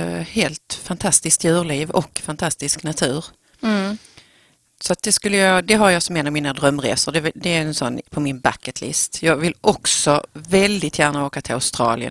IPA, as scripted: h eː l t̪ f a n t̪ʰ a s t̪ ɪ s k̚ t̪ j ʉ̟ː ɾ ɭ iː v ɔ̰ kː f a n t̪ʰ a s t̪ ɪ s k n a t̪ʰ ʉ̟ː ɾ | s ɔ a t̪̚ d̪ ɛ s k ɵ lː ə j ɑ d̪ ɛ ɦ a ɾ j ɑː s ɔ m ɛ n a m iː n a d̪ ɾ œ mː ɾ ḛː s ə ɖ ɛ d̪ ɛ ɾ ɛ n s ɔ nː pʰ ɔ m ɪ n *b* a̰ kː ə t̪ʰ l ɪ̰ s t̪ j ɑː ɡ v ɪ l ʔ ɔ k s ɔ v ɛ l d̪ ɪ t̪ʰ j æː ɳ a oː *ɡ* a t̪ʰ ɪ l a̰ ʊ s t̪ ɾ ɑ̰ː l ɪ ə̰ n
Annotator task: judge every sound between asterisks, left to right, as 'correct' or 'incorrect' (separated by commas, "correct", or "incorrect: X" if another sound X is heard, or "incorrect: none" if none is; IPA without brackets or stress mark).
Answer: correct, incorrect: k